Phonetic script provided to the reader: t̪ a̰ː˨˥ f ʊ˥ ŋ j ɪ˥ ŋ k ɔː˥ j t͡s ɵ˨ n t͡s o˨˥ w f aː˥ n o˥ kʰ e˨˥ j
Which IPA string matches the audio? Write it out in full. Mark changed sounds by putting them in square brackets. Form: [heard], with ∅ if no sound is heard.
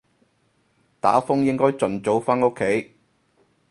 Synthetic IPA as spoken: t̪ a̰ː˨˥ f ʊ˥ ŋ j ɪ˥ ŋ k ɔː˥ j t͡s ɵ˨ n t͡s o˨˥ w f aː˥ n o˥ kʰ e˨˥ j